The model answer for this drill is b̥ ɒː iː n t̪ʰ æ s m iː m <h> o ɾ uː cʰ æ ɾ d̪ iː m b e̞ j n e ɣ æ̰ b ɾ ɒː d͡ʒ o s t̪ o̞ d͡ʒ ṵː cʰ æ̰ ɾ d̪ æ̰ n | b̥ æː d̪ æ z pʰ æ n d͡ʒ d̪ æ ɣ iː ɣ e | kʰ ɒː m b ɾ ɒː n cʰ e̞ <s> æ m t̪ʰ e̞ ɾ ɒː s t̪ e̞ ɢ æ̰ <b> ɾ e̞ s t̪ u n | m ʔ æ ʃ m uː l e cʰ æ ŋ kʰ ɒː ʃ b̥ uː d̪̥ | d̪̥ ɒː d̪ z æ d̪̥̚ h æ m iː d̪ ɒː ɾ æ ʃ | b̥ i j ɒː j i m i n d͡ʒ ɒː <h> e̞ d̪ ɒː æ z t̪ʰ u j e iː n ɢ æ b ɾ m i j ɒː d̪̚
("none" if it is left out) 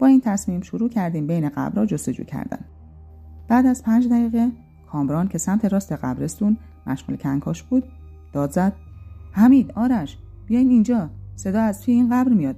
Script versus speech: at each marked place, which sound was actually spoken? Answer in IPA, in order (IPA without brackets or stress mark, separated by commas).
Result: ʃ, s, b, s